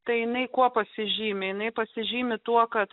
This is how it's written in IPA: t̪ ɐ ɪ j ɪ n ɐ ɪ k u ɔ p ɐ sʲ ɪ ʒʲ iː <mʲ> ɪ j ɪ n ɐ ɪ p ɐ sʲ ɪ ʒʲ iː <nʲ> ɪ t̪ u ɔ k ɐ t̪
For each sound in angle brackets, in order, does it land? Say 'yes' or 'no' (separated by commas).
yes, no